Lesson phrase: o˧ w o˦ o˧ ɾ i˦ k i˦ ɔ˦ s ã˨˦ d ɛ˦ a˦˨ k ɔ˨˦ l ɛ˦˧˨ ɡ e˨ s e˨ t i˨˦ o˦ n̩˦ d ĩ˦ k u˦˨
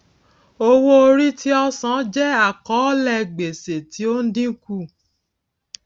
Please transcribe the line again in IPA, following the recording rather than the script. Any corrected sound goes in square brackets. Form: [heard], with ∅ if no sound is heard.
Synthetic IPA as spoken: o˧ w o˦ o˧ ɾ i˦ [t] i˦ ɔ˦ s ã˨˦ [d͡ʒ] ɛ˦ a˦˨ k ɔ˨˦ l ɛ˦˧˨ [ɡ͡b] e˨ s e˨ t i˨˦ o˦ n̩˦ d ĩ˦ k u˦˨